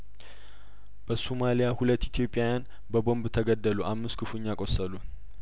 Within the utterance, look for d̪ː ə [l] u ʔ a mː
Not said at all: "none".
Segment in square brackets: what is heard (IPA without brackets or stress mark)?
l